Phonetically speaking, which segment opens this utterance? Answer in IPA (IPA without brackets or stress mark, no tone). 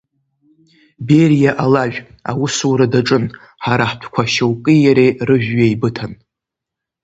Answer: b